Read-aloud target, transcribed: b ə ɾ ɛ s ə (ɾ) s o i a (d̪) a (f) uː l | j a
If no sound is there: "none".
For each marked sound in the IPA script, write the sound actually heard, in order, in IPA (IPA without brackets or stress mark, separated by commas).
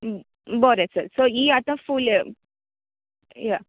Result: ɾ, t̪, f